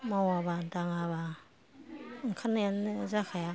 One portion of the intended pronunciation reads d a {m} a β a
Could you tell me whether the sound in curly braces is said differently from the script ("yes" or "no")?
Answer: yes